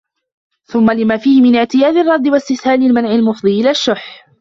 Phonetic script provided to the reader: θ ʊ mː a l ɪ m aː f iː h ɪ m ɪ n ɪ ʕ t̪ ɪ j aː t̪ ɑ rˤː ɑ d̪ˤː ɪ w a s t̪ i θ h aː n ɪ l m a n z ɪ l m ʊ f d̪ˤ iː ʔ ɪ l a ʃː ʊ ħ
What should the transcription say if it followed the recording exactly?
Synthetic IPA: θ ʊ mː a l ɪ m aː f iː h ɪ m ɪ n ɪ ʕ t̪ ɪ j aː d̪ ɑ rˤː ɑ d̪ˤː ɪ w a s t̪ ɪ θ h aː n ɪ l m a n ʕ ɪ l m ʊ f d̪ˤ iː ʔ ɪ l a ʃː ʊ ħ